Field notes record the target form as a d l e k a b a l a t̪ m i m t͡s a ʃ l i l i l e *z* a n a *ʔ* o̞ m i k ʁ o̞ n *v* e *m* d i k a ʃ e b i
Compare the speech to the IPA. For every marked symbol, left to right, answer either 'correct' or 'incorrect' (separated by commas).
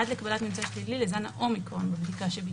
correct, correct, incorrect, incorrect